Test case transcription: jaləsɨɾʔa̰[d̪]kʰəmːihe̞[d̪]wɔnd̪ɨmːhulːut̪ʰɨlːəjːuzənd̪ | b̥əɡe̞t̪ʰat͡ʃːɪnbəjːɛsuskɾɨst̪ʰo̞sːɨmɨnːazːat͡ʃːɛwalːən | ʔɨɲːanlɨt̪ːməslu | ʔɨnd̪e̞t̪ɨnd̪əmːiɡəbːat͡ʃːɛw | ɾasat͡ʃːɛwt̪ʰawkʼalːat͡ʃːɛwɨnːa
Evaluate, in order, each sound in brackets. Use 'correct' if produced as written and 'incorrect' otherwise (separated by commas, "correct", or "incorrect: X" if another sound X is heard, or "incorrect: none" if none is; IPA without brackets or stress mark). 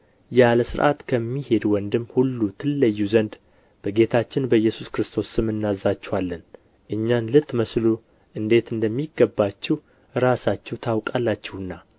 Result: incorrect: t̪, correct